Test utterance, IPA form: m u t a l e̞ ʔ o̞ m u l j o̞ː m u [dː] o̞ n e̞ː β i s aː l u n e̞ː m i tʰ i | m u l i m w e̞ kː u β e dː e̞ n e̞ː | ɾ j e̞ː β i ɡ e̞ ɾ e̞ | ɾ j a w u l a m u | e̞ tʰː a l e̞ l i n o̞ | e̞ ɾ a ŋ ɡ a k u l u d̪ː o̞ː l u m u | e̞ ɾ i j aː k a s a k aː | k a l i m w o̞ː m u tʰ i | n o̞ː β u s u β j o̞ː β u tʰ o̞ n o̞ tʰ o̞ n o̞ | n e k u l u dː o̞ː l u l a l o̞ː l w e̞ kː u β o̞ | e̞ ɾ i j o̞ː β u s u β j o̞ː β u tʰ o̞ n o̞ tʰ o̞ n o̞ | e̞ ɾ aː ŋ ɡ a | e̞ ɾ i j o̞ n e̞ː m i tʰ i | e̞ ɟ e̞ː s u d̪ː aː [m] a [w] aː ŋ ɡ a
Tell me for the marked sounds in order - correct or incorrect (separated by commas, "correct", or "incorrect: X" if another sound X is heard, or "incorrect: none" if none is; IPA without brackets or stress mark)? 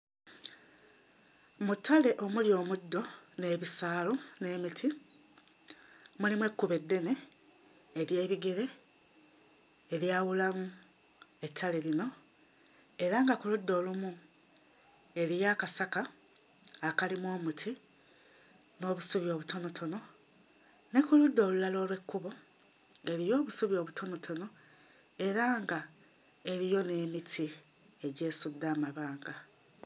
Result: correct, correct, incorrect: β